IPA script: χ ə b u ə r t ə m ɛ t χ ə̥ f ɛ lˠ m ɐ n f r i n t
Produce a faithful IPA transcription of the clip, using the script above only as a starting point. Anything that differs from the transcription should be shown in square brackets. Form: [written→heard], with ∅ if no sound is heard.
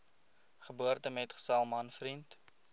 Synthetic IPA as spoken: χ ə b u ə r t ə m ɛ t χ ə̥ [f→s] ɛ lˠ m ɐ n f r i n t